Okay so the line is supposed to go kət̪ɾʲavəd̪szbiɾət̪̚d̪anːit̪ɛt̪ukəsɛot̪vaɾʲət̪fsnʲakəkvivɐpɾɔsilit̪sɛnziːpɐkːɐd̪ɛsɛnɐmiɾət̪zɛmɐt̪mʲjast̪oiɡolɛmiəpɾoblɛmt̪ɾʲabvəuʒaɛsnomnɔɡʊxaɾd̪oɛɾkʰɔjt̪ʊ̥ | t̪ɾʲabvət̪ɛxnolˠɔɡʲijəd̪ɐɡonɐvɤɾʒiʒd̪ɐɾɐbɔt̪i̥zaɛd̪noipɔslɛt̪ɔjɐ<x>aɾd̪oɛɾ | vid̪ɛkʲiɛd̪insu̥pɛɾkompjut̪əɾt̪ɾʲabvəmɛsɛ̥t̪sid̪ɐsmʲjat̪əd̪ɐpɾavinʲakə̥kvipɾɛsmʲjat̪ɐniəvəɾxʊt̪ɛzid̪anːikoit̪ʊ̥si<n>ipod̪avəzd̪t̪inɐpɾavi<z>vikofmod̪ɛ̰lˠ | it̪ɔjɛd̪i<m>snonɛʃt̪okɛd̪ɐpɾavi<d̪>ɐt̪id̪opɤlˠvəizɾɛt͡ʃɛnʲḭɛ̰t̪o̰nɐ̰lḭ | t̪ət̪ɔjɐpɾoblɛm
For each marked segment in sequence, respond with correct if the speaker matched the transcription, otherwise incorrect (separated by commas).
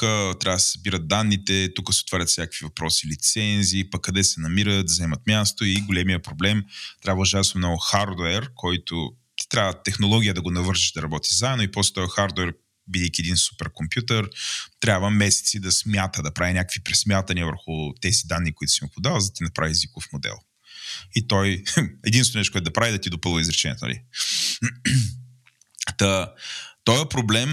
correct, incorrect, correct, incorrect, correct